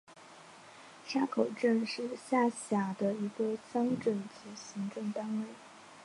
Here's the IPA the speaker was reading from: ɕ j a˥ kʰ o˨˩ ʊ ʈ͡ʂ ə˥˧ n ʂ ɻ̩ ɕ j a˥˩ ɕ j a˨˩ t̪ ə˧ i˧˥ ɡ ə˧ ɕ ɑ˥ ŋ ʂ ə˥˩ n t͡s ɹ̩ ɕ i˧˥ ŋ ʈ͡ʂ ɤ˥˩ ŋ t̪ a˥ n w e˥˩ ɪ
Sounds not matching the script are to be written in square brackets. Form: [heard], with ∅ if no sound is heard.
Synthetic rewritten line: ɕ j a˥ kʰ o˨˩ ʊ ʈ͡ʂ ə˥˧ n ʂ ɻ̩ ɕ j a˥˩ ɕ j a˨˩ [d̪] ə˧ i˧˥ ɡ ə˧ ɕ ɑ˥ ŋ [ʈ͡ʂ] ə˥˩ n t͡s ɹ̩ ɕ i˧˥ ŋ ʈ͡ʂ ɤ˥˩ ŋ t̪ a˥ n w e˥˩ ɪ